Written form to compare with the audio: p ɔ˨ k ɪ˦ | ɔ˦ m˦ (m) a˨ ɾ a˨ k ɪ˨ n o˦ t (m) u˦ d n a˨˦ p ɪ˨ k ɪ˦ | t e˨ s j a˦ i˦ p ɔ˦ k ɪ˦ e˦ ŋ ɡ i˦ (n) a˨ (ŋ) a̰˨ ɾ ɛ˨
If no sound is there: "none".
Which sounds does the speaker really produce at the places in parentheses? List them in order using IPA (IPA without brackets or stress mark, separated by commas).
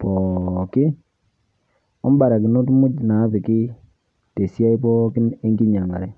b, m, ɲ, ŋ